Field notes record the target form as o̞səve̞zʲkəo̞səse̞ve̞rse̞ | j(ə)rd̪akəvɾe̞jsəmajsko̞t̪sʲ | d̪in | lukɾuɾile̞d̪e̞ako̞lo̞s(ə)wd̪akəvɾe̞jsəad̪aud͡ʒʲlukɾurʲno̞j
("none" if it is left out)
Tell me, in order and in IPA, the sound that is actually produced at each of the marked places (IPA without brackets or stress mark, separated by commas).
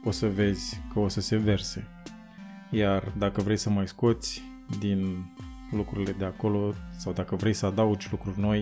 a, a